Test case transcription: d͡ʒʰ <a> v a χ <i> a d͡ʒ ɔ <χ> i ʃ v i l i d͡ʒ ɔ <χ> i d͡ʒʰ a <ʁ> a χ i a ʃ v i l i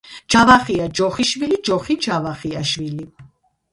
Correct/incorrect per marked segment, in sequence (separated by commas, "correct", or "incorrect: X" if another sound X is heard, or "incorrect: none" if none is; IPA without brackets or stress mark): correct, correct, correct, correct, incorrect: v